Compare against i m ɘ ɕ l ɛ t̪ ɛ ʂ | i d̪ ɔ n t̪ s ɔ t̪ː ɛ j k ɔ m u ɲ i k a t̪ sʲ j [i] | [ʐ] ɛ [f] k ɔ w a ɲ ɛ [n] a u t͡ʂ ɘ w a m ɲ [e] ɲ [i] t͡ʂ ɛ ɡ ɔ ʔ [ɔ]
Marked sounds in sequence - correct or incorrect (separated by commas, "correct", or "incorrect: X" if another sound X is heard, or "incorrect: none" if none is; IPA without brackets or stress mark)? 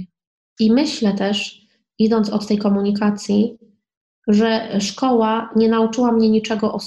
correct, correct, incorrect: ʂ, correct, incorrect: ɛ, correct, correct